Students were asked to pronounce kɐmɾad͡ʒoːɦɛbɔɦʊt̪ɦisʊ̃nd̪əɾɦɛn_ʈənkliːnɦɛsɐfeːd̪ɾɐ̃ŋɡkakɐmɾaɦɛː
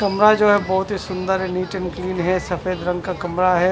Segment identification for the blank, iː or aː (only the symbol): iː